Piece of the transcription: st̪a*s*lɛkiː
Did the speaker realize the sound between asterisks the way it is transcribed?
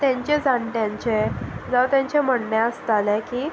no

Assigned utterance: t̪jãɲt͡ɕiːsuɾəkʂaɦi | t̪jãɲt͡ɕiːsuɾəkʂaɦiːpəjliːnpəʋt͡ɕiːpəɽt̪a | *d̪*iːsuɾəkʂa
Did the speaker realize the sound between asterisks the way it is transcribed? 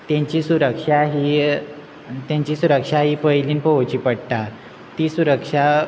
no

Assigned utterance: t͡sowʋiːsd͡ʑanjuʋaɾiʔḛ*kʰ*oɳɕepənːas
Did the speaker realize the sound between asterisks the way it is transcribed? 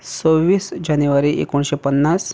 no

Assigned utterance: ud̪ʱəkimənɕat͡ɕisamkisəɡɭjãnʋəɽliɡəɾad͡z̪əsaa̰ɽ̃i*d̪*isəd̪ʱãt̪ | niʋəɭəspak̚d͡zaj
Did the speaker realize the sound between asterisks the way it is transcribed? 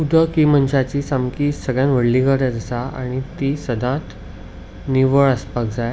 no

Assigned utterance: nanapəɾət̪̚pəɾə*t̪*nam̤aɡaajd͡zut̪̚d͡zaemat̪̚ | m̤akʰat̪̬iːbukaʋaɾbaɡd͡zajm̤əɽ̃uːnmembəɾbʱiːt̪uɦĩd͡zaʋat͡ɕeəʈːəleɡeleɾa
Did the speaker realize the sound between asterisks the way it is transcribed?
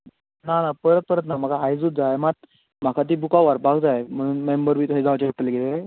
yes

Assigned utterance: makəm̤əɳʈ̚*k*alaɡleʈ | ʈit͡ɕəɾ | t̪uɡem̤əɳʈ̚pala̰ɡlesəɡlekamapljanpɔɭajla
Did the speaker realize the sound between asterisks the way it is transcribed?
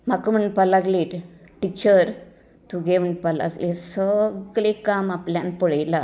no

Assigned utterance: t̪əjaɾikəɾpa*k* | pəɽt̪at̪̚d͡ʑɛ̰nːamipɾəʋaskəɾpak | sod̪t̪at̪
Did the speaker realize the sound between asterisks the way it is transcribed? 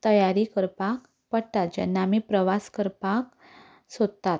yes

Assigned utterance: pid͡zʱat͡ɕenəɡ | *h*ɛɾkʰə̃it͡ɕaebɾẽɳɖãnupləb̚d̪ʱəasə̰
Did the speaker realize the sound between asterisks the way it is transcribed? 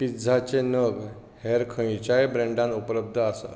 yes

